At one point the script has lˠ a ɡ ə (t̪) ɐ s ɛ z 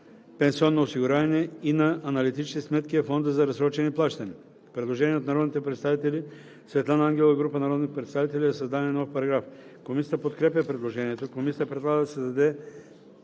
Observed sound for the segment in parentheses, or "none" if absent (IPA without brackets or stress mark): d̪